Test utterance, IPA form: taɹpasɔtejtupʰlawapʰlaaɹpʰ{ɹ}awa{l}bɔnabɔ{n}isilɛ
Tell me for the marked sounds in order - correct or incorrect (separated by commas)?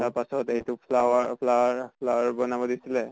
incorrect, incorrect, incorrect